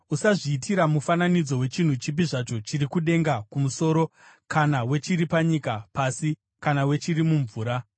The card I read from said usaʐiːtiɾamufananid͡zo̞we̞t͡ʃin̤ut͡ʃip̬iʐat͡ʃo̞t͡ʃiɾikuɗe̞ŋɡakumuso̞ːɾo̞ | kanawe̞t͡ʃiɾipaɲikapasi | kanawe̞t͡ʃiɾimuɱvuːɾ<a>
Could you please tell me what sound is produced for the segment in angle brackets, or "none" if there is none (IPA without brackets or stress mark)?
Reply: a